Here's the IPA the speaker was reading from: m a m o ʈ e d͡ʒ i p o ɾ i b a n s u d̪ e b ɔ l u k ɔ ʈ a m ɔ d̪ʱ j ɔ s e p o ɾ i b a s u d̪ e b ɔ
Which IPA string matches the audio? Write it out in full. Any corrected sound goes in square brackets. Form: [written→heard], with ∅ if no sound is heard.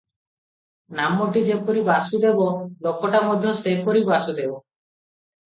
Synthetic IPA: [m→n] a m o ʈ [e→i] d͡ʒ [i→e] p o ɾ i b a [n→∅] s u d̪ e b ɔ l [u→o] k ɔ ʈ a m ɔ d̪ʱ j ɔ s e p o ɾ i b a s u d̪ e b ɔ